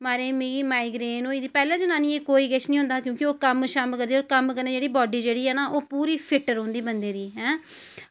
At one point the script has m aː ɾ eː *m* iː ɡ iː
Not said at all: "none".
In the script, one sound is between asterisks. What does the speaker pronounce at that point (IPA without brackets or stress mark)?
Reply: m